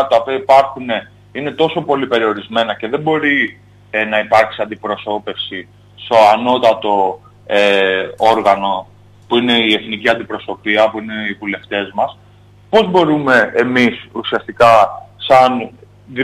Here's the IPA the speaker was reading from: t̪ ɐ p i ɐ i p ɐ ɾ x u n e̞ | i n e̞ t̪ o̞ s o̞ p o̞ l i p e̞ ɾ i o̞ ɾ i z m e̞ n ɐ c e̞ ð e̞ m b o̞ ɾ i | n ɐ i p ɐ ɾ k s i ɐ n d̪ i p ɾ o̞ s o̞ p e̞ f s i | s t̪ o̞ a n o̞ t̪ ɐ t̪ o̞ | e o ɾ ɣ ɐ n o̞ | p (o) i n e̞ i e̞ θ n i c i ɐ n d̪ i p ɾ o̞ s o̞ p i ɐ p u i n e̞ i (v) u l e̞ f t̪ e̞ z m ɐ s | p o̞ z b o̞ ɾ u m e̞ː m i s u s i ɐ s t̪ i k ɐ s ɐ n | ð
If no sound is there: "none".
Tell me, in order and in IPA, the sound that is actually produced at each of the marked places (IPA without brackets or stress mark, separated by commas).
u, v